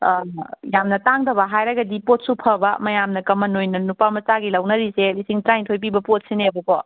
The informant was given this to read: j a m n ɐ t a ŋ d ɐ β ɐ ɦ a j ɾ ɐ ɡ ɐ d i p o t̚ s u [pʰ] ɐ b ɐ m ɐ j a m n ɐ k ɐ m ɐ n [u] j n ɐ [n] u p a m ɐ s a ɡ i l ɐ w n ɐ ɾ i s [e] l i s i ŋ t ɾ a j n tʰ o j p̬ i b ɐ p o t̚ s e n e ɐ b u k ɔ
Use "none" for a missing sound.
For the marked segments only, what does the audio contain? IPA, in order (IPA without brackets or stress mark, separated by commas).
pʰ, o, n, e